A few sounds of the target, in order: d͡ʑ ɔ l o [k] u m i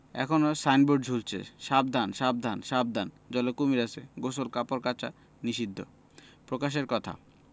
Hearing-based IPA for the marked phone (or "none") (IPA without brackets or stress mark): k